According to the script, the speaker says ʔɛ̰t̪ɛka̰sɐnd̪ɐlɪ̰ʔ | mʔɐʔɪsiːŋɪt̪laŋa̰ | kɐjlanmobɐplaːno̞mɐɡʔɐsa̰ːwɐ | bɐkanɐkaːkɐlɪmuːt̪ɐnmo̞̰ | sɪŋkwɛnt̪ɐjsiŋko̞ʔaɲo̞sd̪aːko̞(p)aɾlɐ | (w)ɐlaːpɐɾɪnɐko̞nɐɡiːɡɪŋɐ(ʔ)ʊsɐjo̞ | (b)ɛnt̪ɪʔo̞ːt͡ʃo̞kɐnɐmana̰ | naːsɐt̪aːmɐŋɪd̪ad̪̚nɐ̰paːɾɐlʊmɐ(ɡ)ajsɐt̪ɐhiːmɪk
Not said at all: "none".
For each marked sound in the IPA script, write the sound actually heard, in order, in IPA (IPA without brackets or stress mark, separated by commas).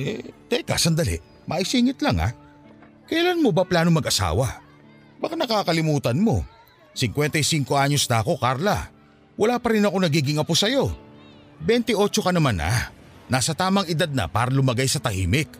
k, w, p, b, ɡ